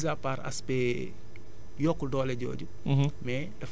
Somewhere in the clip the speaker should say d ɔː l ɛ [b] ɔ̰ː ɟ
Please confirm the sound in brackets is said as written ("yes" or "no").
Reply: no